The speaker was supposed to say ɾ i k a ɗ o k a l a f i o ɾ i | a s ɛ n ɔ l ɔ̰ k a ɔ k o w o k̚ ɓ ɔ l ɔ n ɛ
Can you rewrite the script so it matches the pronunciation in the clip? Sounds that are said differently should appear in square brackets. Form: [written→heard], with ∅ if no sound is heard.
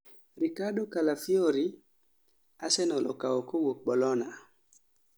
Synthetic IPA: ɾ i k a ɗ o k a l a f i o ɾ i | a s ɛ n ɔ l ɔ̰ k a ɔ k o w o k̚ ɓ ɔ l ɔ n [ɛ→a]